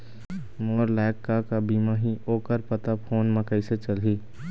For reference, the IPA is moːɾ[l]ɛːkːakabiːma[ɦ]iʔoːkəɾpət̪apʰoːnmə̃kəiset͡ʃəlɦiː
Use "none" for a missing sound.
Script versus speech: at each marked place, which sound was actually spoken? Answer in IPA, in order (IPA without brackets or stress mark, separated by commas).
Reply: l, ɦ